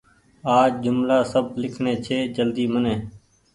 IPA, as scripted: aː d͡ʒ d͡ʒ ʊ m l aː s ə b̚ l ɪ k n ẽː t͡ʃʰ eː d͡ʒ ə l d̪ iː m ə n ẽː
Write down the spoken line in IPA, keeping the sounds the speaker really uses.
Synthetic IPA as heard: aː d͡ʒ d͡ʒ ʊ m l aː s ə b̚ l ɪ kʰ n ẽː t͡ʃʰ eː d͡ʒ ə l d̪ iː m ə n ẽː